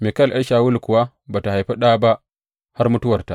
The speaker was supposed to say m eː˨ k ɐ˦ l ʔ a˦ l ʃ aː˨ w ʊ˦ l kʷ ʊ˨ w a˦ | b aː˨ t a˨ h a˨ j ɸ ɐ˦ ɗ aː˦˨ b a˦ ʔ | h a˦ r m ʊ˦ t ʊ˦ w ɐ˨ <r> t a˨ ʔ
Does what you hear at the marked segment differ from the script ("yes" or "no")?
no